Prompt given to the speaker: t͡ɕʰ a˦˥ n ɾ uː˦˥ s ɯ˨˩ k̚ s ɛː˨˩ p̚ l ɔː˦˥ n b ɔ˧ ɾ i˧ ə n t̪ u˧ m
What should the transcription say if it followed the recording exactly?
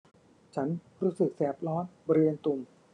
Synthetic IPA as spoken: t͡ɕʰ a˦˥ n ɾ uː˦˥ s ɯ˨˩ k̚ s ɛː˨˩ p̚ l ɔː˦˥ n b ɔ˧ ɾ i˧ ə n t̪ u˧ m